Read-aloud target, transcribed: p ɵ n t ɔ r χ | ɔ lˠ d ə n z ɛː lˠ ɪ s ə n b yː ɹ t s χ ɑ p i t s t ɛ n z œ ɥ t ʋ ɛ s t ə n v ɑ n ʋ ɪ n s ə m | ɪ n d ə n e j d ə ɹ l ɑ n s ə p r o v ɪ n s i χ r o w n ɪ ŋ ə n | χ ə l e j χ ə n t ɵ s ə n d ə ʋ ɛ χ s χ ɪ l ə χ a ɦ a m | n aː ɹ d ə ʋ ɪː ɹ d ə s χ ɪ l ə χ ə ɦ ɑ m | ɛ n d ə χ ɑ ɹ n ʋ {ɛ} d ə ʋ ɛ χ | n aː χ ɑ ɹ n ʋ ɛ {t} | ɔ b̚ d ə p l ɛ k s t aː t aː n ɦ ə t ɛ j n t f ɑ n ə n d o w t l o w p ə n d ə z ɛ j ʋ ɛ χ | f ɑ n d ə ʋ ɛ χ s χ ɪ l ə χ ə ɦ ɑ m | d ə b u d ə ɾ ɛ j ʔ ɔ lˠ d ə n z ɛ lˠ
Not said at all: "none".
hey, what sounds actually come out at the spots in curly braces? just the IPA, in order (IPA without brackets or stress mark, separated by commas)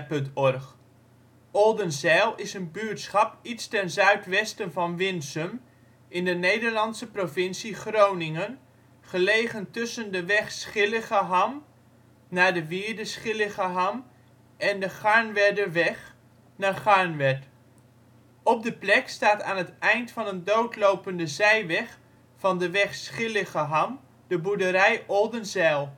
ɛ, t